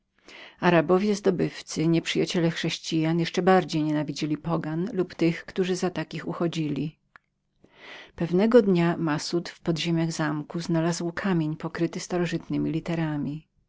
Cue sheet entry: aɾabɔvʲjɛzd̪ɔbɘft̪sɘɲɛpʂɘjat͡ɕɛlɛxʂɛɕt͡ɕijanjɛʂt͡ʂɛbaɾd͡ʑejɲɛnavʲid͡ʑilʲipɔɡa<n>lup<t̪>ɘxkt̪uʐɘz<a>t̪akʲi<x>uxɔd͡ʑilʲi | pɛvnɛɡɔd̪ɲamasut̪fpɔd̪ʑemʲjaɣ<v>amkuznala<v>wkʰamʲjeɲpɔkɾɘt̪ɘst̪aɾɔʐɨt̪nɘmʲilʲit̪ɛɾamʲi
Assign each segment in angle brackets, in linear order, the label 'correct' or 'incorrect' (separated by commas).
correct, correct, correct, correct, incorrect, incorrect